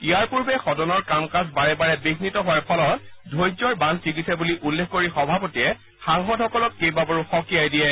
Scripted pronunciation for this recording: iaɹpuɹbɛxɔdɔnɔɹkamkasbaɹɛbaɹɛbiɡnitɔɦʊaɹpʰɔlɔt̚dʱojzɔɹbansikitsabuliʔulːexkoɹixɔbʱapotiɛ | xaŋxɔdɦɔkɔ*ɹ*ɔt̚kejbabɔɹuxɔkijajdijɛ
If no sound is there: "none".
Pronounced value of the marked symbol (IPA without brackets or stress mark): l